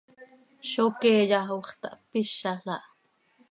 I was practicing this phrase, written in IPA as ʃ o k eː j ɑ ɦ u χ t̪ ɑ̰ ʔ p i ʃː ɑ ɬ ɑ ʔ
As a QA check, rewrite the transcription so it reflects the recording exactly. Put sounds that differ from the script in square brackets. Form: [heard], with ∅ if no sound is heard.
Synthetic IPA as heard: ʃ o k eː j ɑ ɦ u χ t̪ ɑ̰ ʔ p i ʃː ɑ ɬ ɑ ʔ